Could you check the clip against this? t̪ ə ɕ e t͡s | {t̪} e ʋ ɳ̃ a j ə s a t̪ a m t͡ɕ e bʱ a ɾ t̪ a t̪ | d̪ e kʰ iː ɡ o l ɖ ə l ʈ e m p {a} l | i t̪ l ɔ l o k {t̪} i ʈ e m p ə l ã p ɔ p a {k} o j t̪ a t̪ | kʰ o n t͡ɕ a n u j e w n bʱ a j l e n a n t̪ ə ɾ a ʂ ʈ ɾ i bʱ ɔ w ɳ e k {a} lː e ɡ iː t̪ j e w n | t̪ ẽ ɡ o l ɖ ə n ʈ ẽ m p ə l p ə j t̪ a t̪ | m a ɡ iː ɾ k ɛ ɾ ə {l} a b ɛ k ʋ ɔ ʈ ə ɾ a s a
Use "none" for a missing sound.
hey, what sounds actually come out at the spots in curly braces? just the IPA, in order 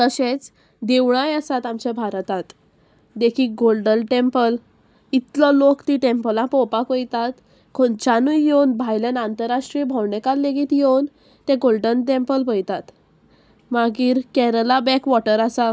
d̪, ə, t̪, k, a, l

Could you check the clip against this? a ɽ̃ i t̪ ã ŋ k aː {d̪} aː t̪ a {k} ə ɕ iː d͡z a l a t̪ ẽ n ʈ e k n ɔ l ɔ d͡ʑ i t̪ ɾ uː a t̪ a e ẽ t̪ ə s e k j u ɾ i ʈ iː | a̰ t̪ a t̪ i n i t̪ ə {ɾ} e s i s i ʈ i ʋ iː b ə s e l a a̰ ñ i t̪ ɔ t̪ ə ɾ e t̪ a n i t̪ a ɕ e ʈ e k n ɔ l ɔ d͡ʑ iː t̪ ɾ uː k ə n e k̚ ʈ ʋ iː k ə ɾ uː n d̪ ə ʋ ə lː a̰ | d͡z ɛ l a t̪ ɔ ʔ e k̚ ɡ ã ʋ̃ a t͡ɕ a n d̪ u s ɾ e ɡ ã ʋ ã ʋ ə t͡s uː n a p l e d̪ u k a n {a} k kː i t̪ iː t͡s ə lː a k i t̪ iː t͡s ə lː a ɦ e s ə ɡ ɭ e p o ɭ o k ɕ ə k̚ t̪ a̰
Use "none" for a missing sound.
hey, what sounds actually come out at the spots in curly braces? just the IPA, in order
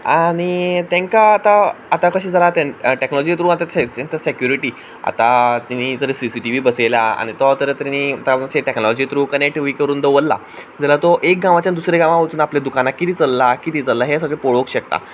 t̪, k, ɾ, a

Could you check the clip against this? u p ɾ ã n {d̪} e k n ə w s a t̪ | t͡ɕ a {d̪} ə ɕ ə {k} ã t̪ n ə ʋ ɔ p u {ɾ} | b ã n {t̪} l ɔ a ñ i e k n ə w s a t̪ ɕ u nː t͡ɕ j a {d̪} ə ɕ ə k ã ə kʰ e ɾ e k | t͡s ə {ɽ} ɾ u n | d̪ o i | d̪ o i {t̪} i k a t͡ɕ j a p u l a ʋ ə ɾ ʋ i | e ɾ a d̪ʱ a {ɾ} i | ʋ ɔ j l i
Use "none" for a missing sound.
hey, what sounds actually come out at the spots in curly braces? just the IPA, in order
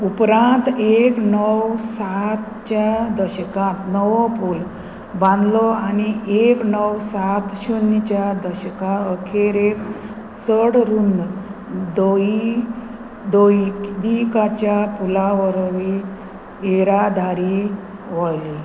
t̪, d̪, k, l, d̪, d̪, ɽ, d̪, ɾ

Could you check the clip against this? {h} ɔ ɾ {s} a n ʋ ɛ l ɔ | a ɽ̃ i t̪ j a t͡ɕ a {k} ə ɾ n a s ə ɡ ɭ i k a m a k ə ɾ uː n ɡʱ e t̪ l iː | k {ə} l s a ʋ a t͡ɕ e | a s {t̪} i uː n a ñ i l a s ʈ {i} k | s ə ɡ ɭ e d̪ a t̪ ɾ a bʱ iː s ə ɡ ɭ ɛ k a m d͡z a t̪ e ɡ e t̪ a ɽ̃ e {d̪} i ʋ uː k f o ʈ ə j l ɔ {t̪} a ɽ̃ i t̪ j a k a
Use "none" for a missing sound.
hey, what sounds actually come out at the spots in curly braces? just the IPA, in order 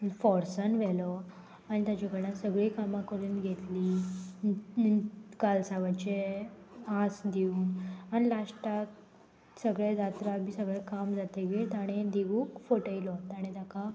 f, s, k, a, d̪, a, d̪, t̪

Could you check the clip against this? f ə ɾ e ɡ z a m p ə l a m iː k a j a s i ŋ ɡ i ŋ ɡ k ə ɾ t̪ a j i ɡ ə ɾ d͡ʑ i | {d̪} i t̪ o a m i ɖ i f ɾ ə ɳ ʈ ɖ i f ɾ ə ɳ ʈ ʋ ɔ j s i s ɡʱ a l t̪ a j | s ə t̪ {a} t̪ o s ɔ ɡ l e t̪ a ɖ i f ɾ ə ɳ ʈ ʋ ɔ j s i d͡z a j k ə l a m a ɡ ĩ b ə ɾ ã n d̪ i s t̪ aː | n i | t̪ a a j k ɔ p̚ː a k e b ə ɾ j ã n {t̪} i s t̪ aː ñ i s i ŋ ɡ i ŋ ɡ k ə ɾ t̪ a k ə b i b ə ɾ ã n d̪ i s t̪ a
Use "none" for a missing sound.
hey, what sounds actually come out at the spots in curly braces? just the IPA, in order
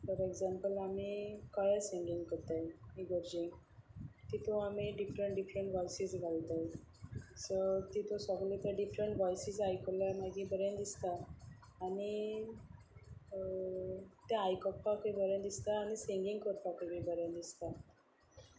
t̪, i, d̪

